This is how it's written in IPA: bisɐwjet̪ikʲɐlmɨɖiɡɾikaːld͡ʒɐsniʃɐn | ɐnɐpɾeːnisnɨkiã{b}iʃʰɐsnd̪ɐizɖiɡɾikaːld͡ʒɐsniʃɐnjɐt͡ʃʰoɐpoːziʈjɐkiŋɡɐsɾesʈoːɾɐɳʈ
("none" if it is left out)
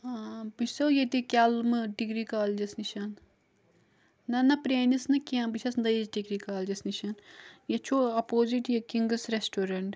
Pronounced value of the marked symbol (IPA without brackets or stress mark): b